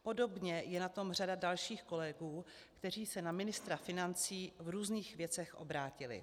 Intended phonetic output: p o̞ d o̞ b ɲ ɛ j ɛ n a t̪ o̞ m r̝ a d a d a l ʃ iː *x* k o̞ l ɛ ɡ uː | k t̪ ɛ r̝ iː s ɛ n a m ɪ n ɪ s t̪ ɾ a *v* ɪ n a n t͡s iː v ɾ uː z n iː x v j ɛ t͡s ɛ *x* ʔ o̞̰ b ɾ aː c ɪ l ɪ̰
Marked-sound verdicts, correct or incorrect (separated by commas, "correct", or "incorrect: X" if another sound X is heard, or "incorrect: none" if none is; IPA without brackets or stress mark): correct, incorrect: f, correct